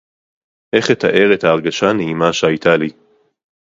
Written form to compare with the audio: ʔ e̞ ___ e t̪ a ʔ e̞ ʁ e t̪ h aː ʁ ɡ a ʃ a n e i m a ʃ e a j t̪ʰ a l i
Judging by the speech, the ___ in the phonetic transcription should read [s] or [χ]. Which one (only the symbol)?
χ